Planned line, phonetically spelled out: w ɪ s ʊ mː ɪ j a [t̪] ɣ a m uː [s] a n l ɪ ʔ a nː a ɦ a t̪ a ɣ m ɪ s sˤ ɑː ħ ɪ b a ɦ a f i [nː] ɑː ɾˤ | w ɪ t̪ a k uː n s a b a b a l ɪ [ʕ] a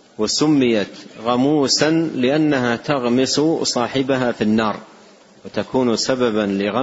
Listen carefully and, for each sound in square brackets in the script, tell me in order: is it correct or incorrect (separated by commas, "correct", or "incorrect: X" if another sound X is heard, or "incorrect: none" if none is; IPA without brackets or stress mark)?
correct, correct, correct, incorrect: ɣ